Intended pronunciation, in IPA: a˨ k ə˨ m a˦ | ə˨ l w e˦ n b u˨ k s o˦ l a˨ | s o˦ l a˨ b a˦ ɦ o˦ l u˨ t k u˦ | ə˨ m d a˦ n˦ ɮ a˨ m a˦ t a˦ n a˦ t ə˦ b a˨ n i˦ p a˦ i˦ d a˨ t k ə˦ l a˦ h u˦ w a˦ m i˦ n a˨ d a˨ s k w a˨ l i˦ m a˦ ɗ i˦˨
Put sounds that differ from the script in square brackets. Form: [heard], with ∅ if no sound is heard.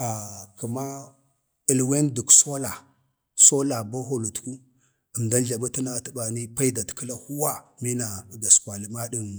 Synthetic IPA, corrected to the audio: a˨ k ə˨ m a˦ | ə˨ l w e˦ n [d] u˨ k s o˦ l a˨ | s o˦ l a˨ b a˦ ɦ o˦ l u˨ t k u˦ | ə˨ m d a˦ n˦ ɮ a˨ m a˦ t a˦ n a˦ t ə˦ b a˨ n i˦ p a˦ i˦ d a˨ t k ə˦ l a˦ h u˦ w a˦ m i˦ n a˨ [ɡ] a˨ s k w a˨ l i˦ m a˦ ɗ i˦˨